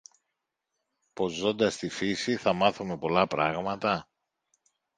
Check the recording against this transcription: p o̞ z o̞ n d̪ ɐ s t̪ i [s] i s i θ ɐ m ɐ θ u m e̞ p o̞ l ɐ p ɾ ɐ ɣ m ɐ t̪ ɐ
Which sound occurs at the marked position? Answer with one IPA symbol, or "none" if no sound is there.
f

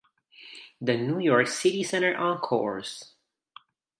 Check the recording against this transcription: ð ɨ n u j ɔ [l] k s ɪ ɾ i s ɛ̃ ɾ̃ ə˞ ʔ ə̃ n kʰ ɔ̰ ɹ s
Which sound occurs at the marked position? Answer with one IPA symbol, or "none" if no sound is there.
ɹ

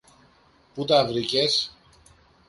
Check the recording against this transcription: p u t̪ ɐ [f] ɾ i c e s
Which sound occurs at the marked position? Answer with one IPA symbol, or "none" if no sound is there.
v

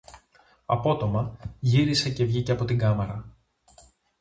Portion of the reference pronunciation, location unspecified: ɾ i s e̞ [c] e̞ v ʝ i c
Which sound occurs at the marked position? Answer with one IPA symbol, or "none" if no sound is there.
c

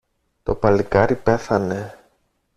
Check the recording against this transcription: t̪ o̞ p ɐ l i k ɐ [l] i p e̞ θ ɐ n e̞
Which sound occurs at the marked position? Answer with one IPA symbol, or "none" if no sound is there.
ɾ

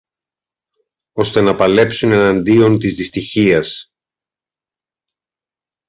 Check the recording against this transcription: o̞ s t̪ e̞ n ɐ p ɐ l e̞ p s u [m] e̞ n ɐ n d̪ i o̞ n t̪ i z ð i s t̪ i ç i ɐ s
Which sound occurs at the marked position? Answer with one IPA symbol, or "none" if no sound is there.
n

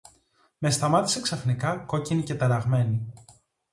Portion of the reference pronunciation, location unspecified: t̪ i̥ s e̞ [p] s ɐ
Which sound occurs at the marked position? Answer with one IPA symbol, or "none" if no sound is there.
k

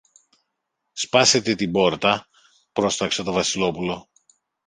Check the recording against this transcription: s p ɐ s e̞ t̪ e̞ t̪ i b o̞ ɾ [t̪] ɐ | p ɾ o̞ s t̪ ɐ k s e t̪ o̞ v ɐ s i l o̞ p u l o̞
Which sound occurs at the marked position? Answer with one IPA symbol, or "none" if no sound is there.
t̪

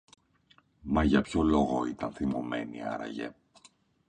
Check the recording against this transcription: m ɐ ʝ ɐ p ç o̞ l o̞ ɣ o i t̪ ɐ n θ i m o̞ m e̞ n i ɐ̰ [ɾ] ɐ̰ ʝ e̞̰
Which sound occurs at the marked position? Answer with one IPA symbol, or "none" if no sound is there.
ɾ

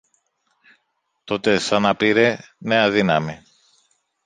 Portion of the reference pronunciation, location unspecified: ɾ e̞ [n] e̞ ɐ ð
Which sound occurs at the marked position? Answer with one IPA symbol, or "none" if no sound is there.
n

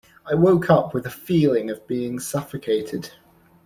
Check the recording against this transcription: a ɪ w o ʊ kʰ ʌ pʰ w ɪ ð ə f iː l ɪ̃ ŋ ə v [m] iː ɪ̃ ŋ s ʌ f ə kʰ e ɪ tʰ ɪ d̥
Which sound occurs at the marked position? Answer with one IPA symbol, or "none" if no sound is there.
b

